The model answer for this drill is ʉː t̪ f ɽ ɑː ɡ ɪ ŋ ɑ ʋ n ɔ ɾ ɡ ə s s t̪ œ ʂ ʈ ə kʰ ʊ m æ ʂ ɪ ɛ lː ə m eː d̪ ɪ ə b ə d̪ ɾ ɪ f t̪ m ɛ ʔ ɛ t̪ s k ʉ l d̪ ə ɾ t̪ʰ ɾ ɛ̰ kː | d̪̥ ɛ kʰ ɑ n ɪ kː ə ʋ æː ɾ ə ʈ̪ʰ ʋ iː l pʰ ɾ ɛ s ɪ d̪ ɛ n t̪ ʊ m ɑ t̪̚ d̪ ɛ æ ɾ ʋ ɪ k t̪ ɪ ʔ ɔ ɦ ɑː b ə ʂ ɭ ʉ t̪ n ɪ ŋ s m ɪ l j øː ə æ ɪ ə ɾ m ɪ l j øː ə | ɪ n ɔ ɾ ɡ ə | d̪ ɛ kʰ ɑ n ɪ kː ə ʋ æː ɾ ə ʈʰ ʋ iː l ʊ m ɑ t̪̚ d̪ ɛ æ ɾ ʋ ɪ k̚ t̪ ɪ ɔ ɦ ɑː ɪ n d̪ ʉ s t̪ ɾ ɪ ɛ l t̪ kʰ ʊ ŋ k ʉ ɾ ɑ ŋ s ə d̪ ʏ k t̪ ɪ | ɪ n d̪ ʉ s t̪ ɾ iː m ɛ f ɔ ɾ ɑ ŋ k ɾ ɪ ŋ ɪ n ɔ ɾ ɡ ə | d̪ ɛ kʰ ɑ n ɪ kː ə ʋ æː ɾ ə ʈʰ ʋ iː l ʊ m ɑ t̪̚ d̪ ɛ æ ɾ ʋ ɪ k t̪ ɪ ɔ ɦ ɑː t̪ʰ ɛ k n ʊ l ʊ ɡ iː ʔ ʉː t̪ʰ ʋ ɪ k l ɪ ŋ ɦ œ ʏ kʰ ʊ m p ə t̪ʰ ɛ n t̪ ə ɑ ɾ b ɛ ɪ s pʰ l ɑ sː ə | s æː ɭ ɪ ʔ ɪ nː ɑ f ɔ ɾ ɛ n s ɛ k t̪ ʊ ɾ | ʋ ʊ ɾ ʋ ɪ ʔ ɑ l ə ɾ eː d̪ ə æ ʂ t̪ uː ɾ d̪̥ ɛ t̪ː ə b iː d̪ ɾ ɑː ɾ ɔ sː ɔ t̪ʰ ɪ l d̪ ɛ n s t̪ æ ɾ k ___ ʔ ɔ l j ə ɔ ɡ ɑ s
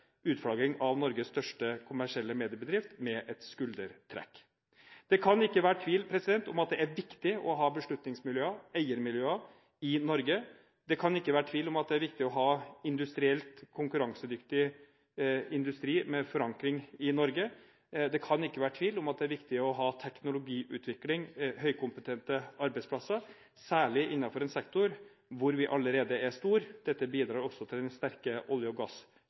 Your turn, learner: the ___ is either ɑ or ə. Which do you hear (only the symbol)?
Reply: ə